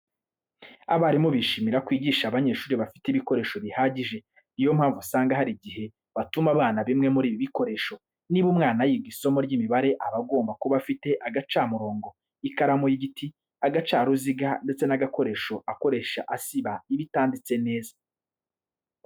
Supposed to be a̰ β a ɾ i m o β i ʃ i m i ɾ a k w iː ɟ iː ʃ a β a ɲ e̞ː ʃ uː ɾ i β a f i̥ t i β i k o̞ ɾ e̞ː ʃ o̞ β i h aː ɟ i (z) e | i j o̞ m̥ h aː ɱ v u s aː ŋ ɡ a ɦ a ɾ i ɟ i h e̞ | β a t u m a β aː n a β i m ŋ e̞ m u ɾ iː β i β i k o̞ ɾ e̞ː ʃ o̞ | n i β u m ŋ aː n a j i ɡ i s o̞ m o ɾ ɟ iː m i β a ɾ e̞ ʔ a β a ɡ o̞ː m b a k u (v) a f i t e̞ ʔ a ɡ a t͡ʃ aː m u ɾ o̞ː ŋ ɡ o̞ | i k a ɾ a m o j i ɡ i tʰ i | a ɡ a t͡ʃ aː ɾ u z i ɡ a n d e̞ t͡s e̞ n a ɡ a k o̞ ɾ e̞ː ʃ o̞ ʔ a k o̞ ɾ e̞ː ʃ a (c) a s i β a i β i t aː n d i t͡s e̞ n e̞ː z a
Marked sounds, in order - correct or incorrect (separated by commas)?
incorrect, incorrect, incorrect